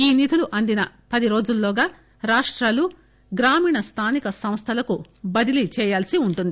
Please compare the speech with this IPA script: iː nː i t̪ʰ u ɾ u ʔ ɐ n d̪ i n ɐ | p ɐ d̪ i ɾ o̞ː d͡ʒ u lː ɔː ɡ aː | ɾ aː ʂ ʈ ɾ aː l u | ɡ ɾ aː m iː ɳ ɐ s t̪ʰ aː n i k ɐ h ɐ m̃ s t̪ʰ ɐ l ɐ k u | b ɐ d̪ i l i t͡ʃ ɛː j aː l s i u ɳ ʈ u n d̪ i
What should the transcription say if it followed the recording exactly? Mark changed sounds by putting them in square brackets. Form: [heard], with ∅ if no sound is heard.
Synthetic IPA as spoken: iː [n] i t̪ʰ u [l] u ʔ ɐ n d̪ i n ɐ | p ɐ d̪ i ɾ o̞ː d͡ʒ u lː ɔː ɡ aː | ɾ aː ʂ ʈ ɾ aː l u | ɡ ɾ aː m iː ɳ ɐ s t̪ʰ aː n i k ɐ [s] ɐ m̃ s t̪ʰ ɐ l ɐ k u | b ɐ d̪ i l i t͡ʃ ɛː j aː l s i u ɳ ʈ u n d̪ i